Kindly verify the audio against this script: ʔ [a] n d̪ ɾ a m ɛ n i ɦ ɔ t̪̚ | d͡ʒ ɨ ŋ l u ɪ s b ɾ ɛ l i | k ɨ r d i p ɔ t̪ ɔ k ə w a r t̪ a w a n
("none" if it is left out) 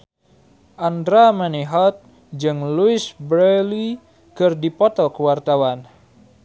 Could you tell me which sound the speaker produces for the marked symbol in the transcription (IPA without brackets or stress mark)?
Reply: a